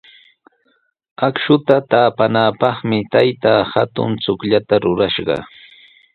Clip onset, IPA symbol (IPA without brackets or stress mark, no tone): a